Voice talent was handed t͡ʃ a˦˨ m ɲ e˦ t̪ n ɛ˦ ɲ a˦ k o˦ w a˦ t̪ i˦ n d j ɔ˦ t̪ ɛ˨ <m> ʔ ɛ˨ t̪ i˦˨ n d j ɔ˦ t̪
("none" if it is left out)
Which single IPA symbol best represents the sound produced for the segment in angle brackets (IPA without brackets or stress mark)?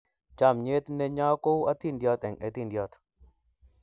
ŋ